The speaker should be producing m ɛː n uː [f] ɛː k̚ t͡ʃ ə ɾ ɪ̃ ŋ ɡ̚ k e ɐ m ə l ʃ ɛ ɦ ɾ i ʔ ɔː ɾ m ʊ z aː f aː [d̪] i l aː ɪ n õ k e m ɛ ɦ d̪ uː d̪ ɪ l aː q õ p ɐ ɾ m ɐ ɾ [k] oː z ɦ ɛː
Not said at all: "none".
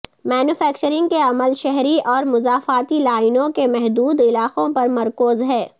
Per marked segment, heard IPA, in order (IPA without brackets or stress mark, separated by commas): f, t̪, k